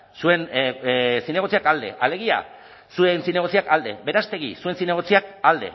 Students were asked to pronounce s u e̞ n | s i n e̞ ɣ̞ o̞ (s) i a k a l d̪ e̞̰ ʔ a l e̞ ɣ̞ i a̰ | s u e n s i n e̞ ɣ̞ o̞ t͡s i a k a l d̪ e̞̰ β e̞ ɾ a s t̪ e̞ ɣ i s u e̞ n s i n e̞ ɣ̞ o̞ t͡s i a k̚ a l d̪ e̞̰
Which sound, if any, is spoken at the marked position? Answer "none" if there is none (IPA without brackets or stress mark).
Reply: t͡s